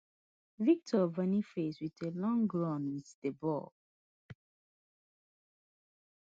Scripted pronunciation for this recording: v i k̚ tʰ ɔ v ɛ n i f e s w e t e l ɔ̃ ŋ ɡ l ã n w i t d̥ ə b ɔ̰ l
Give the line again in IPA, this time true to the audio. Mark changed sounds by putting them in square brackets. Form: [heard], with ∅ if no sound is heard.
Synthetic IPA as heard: v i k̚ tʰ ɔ v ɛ n i f e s w [i] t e l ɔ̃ ŋ ɡ [ɹ] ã n w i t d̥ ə b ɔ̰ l